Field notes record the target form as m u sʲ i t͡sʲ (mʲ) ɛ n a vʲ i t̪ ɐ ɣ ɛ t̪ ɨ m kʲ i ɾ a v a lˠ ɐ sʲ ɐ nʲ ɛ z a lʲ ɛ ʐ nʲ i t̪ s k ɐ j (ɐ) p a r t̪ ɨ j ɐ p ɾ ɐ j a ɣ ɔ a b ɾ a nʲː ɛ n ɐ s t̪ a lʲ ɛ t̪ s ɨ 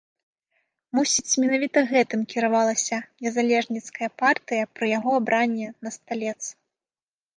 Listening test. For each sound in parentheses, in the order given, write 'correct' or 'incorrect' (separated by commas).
correct, correct